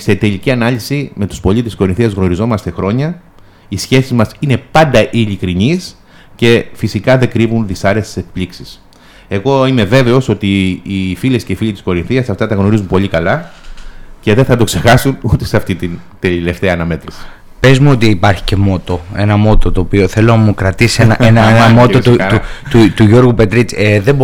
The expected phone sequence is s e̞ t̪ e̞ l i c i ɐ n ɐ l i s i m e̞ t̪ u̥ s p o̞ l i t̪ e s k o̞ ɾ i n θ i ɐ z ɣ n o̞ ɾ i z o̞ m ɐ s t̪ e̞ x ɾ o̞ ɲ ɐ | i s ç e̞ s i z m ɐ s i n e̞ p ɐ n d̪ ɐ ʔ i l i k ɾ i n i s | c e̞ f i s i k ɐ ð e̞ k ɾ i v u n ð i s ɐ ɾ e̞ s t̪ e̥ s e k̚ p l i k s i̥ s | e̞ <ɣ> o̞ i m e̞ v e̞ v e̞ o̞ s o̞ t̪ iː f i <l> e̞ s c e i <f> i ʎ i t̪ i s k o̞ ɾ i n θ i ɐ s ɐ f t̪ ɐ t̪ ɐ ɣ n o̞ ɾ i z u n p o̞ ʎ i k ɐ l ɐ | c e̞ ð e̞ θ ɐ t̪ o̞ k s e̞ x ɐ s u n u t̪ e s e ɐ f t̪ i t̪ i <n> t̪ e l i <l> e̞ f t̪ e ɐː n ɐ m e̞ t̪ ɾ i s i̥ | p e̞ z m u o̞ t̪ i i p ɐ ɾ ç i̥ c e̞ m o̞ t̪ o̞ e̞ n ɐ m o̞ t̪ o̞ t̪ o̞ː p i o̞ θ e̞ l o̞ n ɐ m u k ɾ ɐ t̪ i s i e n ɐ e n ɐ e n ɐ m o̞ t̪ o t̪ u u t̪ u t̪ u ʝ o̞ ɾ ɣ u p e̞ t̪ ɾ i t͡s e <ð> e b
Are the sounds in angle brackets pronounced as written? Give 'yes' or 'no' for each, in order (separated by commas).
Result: yes, yes, yes, yes, yes, yes